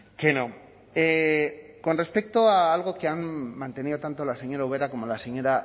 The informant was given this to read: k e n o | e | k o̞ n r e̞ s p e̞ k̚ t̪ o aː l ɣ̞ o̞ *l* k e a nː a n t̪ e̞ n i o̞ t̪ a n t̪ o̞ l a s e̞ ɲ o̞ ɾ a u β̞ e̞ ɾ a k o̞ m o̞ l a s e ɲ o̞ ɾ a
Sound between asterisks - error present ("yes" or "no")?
yes